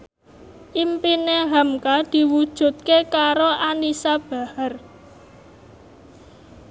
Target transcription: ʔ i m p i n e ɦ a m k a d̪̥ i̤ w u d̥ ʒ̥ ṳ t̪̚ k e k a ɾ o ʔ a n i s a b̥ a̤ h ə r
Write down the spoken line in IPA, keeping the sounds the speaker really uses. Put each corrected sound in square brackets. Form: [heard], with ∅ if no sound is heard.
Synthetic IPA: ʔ i m p i n e ɦ a m k a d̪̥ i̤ w u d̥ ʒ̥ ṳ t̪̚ k e k a ɾ o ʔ a n i s a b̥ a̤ h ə r

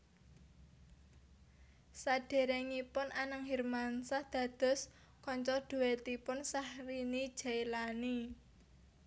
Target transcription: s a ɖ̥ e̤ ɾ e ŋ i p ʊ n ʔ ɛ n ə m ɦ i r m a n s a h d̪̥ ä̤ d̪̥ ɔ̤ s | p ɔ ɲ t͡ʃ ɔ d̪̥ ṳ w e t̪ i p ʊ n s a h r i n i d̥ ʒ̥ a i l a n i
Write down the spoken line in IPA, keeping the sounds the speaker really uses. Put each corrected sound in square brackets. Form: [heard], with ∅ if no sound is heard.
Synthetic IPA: s a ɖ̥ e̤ ɾ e ŋ i p ʊ n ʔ [a] n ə [ŋ] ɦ i r m a n s a h d̪̥ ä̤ d̪̥ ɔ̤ s | [k] ɔ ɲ t͡ʃ ɔ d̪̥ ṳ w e t̪ i p ʊ n s a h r i n i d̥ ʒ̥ a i l a n i

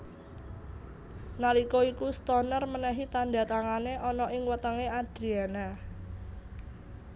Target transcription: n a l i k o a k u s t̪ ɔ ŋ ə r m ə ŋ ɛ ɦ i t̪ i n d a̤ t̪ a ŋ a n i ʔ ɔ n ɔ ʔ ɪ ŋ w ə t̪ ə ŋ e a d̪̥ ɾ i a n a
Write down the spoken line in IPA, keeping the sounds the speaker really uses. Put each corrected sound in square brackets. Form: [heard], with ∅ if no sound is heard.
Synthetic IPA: n a l i k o [i] k u s t̪ ɔ [n] ə r m ə [n] ɛ ɦ i t̪ [a] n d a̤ t̪ a ŋ a n [e] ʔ ɔ n ɔ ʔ ɪ ŋ w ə t̪ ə ŋ e a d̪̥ ɾ i a n a

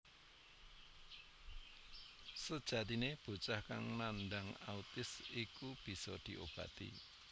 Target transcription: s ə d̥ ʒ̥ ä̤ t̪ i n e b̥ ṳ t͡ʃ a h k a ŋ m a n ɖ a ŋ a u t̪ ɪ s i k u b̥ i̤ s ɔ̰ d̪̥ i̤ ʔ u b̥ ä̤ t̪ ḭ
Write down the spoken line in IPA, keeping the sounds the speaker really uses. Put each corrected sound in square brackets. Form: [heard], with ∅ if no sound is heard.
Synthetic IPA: s ə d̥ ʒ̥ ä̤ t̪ i n e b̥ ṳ t͡ʃ a h k a ŋ [n] a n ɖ a ŋ a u t̪ ɪ s i k u b̥ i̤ s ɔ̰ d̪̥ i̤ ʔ [o] b̥ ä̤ t̪ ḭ

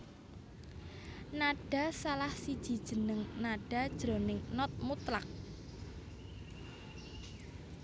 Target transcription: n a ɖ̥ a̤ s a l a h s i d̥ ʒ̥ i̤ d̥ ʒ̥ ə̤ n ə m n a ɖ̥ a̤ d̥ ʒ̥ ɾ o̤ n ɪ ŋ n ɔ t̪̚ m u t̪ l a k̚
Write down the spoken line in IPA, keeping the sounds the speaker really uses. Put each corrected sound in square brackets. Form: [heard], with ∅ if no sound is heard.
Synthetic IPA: n a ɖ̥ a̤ s a l a h s i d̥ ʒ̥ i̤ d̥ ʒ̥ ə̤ n ə [ŋ] n a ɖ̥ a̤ d̥ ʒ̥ ɾ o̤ n ɪ ŋ n ɔ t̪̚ m u t̪ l a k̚

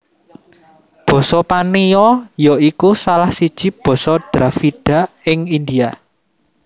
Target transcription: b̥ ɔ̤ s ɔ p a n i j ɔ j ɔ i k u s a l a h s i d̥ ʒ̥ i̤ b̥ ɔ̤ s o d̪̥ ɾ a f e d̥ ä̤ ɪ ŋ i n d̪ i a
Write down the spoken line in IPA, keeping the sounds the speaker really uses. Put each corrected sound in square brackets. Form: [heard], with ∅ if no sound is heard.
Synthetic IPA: b̥ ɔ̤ s ɔ p a n i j ɔ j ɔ i k u s a l a h s i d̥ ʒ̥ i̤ b̥ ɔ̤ s [ɔ] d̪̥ ɾ a f [i] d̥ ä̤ ɪ ŋ i n d̪ i a

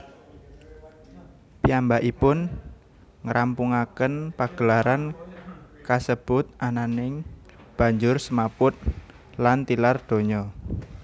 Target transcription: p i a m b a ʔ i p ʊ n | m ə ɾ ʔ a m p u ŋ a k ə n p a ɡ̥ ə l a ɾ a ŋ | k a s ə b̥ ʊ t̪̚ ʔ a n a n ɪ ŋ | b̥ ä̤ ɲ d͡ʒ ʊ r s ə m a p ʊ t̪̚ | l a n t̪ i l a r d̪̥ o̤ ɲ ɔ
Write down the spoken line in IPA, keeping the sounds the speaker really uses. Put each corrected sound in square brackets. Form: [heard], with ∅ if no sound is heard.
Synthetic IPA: p i a m b a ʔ i p ʊ n | [ŋ] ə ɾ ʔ a m p u ŋ a k ə n p a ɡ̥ ə l a ɾ a [n] | k a s ə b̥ ʊ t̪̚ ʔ a n a n ɪ ŋ | b̥ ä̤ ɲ d͡ʒ ʊ r s ə m a p ʊ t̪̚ | l a n t̪ i l a r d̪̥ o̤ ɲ ɔ

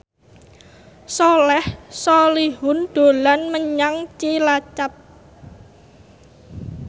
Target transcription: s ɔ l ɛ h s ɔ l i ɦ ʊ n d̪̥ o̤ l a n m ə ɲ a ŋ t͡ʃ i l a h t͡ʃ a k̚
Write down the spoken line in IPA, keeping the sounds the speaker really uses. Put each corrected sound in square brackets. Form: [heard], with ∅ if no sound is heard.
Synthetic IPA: s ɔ l ɛ h s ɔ l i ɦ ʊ n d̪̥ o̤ l a n m ə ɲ a ŋ t͡ʃ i l a [∅] t͡ʃ a [p̚]

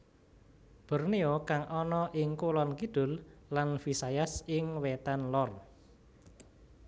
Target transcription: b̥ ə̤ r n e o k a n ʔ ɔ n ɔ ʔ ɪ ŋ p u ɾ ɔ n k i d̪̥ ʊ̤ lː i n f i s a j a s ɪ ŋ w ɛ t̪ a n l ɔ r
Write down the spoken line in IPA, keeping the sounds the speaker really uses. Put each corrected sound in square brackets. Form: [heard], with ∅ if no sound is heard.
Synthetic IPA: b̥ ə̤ r n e o k a [ŋ] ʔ ɔ n ɔ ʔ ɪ ŋ [k] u [l] ɔ n k i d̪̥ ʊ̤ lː [a] n f i s a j a s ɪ ŋ w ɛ t̪ a n l ɔ r

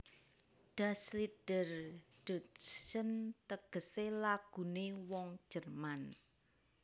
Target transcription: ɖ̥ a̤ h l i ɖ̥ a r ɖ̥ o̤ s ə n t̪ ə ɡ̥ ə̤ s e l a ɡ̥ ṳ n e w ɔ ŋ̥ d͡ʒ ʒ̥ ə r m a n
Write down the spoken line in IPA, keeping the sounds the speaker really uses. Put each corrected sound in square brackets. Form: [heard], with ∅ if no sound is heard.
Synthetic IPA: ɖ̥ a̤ [s] l i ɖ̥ [ə] r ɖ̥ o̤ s ə n t̪ ə ɡ̥ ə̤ s e l a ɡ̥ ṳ n e w ɔ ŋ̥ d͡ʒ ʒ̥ ə r m a n

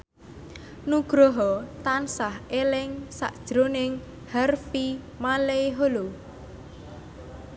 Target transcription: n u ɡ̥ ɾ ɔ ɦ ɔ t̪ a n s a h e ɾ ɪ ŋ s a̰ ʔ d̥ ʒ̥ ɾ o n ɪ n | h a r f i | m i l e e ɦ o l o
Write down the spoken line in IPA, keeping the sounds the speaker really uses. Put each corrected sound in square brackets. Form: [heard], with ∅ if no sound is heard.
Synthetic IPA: n u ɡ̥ ɾ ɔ ɦ ɔ t̪ a n s a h e [l] ɪ ŋ s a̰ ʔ d̥ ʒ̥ ɾ o n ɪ [ŋ] | h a r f i | m [a] l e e ɦ o l o

